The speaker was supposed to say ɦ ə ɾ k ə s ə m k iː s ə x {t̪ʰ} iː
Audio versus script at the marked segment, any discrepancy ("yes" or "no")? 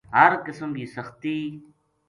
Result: yes